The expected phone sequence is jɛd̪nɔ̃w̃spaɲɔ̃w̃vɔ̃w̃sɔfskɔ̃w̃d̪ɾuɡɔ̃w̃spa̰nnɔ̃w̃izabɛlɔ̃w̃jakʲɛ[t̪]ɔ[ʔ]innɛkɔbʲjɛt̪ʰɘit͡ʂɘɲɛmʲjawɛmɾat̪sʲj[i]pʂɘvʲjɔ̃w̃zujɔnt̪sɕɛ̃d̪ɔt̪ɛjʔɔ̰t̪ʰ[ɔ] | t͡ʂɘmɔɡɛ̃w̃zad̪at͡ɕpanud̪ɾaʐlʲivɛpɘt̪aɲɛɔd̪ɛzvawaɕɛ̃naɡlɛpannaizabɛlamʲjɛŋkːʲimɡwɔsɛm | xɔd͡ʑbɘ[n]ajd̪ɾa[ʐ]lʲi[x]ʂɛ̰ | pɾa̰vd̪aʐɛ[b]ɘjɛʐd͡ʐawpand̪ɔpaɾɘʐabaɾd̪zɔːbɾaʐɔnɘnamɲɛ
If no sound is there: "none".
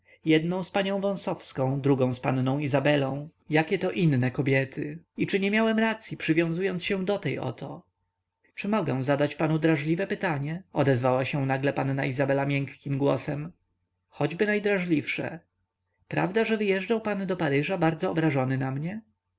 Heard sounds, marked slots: t̪, ʔ, i, ɔ, n, ʐ, f, v

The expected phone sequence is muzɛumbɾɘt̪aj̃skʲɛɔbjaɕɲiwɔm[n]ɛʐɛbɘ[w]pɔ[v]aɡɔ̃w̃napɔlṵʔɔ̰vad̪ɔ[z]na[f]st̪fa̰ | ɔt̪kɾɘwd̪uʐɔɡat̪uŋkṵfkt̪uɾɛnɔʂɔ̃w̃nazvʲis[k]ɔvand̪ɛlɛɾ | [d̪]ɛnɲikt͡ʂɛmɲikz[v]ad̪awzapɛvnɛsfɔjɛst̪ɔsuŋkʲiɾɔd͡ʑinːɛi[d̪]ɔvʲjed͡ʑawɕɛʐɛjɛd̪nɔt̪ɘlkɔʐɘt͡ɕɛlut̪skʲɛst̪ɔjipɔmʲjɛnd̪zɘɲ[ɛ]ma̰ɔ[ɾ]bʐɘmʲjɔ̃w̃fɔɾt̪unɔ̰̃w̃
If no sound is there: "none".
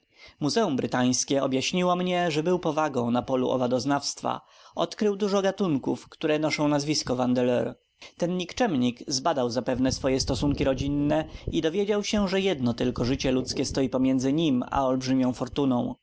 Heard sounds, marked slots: ɲ, w, v, z, f, k, t̪, b, d̪, i, l

